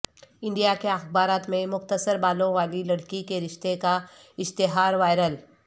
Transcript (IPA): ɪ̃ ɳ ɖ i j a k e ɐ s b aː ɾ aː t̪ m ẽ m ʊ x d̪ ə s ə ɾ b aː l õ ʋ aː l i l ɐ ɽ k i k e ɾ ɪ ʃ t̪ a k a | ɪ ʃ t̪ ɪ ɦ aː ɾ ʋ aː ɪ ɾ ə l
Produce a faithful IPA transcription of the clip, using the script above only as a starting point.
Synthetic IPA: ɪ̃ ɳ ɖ i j a k e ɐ x b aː ɾ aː t̪ m ẽ m ʊ x t̪ ə s ə ɾ b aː l õ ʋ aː l i l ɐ ɽ k i k e ɾ ɪ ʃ t̪ e k a | ɪ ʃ t̪ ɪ ɦ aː ɾ ʋ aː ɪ ɾ ə l